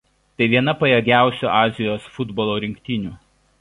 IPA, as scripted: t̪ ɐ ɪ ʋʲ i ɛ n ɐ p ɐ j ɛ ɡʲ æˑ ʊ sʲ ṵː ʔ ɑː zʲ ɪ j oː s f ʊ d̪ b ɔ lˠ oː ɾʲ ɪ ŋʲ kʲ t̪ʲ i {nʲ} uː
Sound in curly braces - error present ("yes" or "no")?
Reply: no